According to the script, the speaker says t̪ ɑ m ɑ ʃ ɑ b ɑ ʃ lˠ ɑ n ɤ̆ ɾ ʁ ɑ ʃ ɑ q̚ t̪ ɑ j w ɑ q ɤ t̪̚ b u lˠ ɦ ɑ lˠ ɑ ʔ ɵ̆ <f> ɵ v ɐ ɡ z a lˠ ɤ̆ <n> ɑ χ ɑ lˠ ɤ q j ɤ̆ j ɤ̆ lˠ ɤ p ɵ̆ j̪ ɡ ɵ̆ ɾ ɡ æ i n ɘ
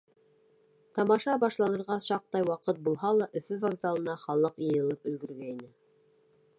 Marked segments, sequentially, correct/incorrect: correct, correct

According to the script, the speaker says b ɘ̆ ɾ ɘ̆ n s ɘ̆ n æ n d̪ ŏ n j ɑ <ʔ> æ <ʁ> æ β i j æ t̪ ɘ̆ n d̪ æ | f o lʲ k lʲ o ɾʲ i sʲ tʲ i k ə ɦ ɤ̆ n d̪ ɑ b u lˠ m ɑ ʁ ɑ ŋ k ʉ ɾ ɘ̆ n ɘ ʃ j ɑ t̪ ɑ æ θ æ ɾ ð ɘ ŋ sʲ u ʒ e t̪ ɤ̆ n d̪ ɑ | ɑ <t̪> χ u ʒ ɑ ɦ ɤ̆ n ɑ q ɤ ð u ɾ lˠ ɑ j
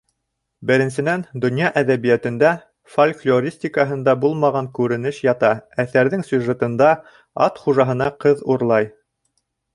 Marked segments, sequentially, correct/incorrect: correct, incorrect: ð, correct

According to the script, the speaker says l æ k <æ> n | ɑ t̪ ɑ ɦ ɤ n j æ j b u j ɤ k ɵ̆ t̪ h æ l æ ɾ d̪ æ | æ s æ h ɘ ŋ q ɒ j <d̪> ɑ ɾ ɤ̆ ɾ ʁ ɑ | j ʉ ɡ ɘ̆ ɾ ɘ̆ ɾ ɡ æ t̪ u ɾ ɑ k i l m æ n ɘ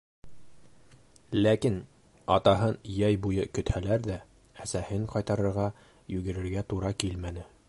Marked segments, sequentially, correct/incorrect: incorrect: i, incorrect: t̪

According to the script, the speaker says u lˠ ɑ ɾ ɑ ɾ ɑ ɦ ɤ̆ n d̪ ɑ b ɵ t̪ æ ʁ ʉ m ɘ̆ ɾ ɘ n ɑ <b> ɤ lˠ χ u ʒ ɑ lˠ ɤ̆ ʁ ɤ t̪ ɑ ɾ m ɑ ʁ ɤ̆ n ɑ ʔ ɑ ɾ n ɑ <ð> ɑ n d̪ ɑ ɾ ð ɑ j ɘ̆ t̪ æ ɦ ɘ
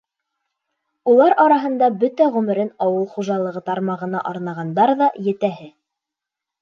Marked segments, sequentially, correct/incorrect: incorrect: w, incorrect: ʁ

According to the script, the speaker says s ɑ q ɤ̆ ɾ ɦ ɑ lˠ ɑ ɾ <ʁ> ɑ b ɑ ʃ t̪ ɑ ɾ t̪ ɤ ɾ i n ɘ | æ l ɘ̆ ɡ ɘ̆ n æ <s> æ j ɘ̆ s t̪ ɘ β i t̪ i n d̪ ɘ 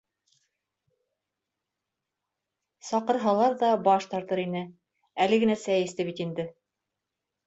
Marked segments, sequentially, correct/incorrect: incorrect: ð, correct

